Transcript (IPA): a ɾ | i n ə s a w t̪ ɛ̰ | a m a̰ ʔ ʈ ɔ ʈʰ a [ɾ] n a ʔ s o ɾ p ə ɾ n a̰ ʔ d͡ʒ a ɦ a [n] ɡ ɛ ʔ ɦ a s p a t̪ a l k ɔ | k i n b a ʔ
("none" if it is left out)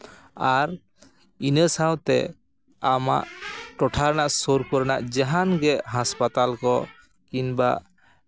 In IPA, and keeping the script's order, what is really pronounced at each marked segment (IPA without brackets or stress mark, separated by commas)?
ɾ, n